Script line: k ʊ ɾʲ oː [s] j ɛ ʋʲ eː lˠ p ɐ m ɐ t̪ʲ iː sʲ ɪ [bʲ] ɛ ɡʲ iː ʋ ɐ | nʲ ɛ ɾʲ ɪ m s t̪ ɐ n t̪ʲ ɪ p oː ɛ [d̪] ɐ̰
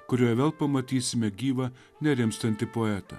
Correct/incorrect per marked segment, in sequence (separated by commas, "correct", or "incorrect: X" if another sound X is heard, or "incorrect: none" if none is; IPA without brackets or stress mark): incorrect: none, incorrect: mʲ, incorrect: t̪